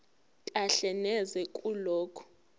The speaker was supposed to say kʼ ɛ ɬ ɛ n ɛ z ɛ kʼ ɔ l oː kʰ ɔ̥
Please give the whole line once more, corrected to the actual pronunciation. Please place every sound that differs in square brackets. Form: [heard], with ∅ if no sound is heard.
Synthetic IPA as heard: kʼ [a] ɬ ɛ n ɛ z ɛ kʼ [u] l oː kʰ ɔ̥